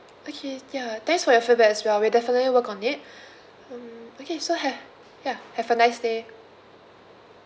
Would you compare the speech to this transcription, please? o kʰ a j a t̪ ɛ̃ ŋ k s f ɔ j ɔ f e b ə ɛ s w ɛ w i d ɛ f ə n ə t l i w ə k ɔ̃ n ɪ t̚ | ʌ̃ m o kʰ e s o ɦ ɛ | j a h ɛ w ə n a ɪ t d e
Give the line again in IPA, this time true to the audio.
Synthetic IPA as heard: o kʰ e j a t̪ ɛ̃ ŋ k s f ɔ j ɔ f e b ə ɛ s w ɛ w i d ɛ f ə n ə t l i w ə k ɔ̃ n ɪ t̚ | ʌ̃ m o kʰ e s o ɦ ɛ | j a h ɛ v ə n a ɪ s d e